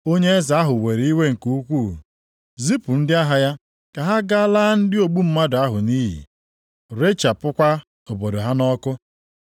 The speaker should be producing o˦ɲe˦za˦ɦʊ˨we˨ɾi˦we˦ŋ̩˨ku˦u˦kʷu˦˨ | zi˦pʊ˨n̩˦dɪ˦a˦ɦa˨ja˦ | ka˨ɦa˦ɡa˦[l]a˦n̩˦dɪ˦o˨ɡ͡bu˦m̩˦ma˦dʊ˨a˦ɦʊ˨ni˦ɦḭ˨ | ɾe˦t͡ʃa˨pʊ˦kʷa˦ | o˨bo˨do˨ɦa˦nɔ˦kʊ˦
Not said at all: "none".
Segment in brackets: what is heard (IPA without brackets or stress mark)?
l